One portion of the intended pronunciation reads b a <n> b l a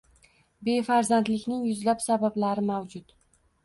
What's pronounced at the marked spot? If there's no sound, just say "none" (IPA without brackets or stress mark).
none